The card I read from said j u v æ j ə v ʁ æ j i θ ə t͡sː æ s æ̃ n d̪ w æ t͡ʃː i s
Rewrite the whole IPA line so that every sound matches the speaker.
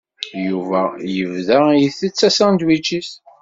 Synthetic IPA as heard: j u v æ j ə v ð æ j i θ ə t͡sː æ s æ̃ n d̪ w i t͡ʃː i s